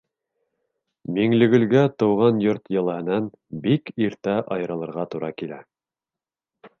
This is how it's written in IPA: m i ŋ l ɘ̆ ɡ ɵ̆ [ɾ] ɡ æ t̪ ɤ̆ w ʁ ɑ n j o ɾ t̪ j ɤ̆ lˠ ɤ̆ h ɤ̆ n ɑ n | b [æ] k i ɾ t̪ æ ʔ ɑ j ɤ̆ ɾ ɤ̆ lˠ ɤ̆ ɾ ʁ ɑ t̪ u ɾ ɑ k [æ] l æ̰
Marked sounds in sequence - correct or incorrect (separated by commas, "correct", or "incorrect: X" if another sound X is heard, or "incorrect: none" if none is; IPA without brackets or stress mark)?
incorrect: l, incorrect: i, incorrect: i